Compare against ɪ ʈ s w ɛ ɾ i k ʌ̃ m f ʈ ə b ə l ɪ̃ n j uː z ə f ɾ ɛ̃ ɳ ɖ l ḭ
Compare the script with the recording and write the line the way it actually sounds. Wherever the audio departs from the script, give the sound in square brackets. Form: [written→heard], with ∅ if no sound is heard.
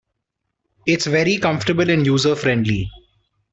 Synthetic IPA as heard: ɪ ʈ s [w→ʋ] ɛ ɾ i k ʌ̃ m f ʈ ə b ə l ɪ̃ n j uː z ə f ɾ ɛ̃ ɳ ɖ l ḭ